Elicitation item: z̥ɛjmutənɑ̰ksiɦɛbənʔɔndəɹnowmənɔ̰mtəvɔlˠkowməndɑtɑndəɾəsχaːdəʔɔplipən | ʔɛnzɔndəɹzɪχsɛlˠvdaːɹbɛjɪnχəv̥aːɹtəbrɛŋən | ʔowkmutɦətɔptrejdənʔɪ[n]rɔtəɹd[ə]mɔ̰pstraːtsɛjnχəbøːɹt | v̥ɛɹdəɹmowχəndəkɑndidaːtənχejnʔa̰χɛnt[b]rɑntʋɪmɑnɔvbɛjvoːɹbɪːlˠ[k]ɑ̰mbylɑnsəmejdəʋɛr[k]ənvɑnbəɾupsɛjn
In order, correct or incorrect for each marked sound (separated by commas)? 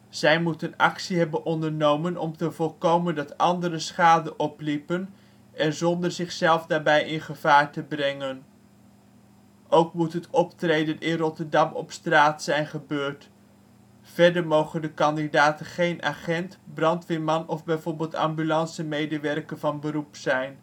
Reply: correct, incorrect, correct, incorrect, correct